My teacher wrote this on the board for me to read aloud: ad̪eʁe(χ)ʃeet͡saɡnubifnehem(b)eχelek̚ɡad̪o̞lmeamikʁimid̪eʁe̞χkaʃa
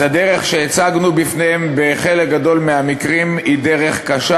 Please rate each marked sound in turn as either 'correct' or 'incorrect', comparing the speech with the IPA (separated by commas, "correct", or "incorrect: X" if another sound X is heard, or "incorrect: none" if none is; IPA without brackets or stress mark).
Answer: correct, correct